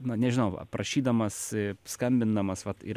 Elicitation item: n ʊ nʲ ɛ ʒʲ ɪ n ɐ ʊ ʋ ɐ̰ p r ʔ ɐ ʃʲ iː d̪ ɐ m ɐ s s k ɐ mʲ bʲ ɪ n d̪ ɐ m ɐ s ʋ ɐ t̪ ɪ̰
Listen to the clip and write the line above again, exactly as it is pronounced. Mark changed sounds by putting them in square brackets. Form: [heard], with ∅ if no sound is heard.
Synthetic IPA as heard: n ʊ nʲ ɛ ʒʲ ɪ n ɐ ʊ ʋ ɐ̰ p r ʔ ɐ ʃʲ iː d̪ ɐ m ɐ s s k ɐ mʲ bʲ ɪ n d̪ ɐ m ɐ s ʋ ɐ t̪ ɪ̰